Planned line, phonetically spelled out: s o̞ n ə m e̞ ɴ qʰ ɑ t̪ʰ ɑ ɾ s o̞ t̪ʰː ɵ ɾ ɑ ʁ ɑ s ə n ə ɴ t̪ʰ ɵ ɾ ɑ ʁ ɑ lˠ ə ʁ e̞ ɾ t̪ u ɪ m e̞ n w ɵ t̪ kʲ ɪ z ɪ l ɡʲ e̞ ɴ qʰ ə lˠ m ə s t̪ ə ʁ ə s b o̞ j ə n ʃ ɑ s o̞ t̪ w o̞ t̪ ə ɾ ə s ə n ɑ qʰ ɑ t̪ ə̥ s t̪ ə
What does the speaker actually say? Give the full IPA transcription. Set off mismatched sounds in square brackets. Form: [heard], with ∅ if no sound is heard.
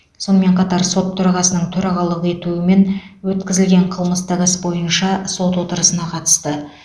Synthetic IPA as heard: s o̞ n ə m e̞ ɴ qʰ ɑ [t̪] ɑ ɾ s o̞ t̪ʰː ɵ ɾ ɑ ʁ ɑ s ə n ə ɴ t̪ʰ ɵ ɾ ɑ ʁ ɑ lˠ ə ʁ e̞ [∅] t̪ u ɪ m e̞ n w ɵ t̪ kʲ ɪ z ɪ l ɡʲ e̞ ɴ qʰ ə lˠ m ə s t̪ ə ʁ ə s b o̞ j ə n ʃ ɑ s o̞ t̪ w o̞ t̪ ə ɾ ə s ə n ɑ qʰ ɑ t̪ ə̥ s t̪ ə